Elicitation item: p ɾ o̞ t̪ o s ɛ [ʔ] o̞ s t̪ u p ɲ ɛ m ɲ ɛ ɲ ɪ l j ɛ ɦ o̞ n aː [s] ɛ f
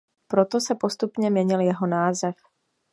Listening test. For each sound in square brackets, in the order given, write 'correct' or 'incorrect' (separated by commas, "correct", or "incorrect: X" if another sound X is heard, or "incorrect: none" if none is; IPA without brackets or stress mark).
incorrect: p, incorrect: z